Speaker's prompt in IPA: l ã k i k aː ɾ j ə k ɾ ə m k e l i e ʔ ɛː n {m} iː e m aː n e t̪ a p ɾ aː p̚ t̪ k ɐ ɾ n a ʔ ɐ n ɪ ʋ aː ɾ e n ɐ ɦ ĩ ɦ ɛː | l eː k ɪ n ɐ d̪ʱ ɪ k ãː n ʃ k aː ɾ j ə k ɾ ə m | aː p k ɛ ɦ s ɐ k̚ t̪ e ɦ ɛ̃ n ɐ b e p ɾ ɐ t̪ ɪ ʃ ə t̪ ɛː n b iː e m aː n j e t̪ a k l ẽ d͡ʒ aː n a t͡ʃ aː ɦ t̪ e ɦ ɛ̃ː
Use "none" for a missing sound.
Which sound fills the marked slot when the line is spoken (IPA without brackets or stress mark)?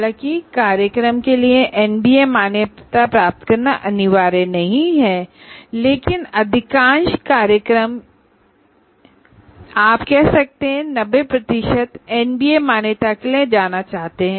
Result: b